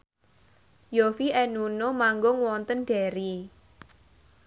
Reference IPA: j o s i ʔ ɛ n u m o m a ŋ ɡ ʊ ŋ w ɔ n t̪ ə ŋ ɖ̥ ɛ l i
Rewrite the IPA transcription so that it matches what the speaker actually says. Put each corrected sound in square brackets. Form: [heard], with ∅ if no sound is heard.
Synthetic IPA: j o [f] i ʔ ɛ n u [n] o m a ŋ ɡ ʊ ŋ w ɔ n t̪ ə [n] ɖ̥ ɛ [ɾ] i